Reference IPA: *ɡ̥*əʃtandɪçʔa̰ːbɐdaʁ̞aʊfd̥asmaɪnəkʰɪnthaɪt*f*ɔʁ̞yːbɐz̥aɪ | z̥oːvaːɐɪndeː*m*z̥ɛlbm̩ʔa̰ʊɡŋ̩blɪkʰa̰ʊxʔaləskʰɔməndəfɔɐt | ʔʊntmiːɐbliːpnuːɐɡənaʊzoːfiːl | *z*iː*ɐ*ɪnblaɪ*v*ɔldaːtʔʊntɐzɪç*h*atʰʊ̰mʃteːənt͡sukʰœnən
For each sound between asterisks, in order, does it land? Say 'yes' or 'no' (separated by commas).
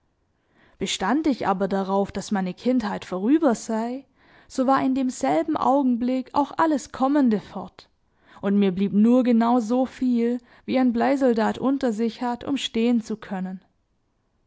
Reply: no, yes, yes, no, no, no, yes